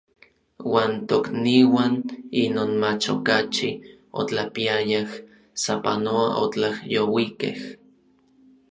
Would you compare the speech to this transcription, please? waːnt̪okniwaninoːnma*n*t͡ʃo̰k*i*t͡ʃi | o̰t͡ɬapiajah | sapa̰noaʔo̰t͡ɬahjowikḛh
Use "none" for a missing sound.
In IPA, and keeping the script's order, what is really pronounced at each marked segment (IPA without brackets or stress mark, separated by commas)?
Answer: none, a